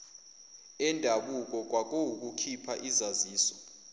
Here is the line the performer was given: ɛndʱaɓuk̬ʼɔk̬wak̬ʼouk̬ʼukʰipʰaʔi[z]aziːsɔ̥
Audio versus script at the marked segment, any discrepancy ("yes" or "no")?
no